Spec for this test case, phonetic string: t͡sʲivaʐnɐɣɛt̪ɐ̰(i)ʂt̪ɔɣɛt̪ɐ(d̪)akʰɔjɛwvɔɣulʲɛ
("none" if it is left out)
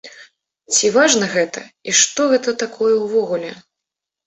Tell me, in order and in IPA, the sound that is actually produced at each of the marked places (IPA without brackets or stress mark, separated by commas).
i, t̪